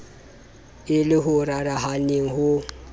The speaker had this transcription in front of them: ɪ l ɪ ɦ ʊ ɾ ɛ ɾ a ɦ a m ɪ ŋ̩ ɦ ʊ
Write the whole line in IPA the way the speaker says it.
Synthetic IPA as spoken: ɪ l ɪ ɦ ʊ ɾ a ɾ a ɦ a n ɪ ŋ̩ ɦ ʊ